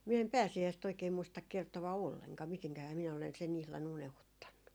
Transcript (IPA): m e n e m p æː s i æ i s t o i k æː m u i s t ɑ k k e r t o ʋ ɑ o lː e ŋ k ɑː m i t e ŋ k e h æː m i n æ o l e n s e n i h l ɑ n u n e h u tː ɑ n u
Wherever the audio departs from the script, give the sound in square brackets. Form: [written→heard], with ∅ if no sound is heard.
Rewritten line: m [e→i] n e m p æː s i æ i s t o i k [æː→eː] m u i s t ɑ k k e r t o ʋ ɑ o lː e ŋ k ɑː m i t e ŋ k [e→æ] h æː m i n æ o l e n s e n i h l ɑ n u n e h u tː ɑ [n→nː] u

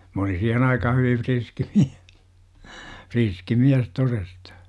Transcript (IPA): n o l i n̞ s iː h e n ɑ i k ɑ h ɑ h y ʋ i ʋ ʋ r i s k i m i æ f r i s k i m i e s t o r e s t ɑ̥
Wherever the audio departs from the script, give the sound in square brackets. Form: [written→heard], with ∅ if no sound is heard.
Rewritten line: [n→m] o l i n̞ s iː h e n ɑ i k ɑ h ɑ h y ʋ i ʋ ʋ r i s k i m i æ f r i s k i m i [e→æ] s t o r e s t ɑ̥

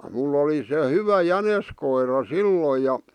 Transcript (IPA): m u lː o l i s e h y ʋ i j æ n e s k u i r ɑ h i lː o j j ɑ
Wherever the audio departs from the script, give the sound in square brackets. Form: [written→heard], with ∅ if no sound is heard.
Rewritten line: m u lː o l i s e h y ʋ [i→æ] j æ n e s k [u→o] i r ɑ [h→s] i lː o j j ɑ

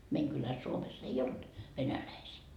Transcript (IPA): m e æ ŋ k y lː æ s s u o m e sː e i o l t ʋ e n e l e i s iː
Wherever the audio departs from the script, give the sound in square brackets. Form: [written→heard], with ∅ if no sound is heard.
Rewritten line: m e [æ→i] ŋ k y [lː→l] æ s s u o m e sː e i o l t ʋ e n [e→æ] l [e→æ] i s iː

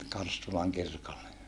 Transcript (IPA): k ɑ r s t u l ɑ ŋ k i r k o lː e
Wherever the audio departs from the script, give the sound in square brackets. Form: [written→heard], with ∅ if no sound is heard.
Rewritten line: k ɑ r s t u l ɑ ŋ k i r k o lː e

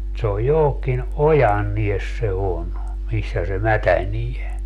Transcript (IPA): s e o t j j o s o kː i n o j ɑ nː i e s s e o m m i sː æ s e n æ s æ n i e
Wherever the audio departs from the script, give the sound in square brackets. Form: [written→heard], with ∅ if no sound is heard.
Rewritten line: s e o [t→∅] j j o [s→h] o kː i n o j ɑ nː i e s s e o [m→n] m i sː æ s e [n→m] æ [s→t] æ n i e

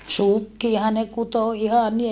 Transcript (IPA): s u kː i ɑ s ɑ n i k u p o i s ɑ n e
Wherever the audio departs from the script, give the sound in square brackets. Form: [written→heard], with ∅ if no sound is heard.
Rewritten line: s u kː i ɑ [s→h] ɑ n [i→e] k u [p→t] o i [s→h] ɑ n [e→i]

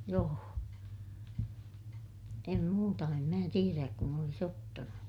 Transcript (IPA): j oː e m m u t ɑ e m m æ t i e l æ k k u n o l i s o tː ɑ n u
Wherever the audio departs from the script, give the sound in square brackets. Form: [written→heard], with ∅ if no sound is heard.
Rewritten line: j oː e m m [u→uː] t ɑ e m m [æ→æː] t i e [l→r] æ k k u n o l i s o tː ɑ n u

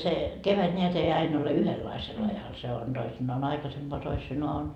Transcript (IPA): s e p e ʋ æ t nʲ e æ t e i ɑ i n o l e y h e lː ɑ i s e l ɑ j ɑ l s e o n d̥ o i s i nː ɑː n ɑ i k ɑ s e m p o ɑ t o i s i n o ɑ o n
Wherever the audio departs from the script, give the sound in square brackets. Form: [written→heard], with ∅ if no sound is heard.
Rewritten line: s e [p→k] e ʋ æ t nʲ e æ t e i ɑ i n o l e y h e lː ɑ i s e l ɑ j ɑ l s e o n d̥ o i s i nː ɑː n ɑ i k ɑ s e m p o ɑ t o i s i n o ɑ o n

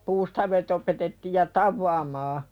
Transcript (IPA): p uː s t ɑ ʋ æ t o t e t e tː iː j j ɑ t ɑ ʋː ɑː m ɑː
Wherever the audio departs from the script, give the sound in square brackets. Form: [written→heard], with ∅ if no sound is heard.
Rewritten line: p uː s t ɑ ʋ [æ→e] t o [t→p] e t e tː iː j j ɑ t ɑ ʋː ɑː m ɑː

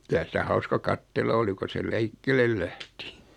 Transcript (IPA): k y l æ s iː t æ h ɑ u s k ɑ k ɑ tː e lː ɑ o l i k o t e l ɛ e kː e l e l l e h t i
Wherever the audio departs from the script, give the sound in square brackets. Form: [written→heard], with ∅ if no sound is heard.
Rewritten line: k y l æ s [iː→i] t æ h ɑ u s k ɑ k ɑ tː e lː ɑ o l i k o [t→s] e l ɛ [e→i] kː e l e l l [e→æ] h t i

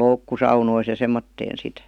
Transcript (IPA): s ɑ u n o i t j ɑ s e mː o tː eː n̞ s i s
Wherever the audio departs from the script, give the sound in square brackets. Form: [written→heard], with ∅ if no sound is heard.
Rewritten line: s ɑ u n o i [t→s] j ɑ s e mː o tː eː n̞ s i [s→t]

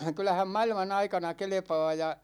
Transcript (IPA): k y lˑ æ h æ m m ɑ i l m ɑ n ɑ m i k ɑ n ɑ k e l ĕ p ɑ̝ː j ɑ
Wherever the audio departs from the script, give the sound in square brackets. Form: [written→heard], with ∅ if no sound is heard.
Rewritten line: k y lˑ æ h æ m m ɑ i l m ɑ n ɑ [m→∅] i k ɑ n ɑ k e l ĕ p ɑ̝ː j ɑ

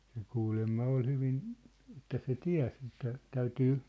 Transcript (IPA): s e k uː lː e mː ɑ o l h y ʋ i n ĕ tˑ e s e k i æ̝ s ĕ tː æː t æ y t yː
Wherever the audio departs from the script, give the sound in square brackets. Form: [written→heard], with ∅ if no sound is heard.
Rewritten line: s e k uː [lː→l] e mː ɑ o l h y ʋ i n ĕ tˑ [e→æ] s e [k→t] i æ̝ s ĕ tː [æː→æ] t æ y t yː

